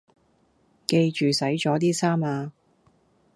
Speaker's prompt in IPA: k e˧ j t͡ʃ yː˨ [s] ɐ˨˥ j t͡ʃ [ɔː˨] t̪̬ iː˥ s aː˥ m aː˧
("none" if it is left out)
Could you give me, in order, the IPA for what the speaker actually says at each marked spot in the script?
s, ɔː˨˥

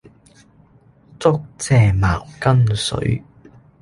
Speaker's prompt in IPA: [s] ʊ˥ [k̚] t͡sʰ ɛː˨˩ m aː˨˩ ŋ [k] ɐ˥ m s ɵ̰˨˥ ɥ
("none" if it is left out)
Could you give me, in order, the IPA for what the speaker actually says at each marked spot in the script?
t͡s, k̚, k

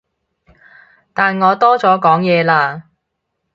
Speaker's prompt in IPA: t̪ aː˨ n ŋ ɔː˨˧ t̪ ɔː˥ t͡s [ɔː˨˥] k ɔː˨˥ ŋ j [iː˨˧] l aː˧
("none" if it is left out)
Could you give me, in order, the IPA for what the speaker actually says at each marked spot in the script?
ɔː˨˥, ɛː˨˧

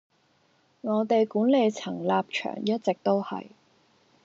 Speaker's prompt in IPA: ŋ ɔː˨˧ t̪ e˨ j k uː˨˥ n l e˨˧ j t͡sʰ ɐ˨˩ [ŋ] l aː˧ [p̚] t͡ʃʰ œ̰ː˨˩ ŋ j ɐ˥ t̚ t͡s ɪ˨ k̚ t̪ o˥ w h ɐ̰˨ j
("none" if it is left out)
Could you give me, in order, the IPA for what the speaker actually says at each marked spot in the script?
ŋ, p̚

